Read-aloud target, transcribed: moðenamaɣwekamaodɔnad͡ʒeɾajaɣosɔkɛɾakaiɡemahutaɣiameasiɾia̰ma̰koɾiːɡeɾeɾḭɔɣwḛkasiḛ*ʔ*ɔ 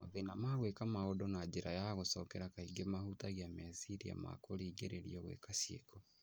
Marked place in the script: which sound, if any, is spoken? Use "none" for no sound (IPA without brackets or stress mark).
k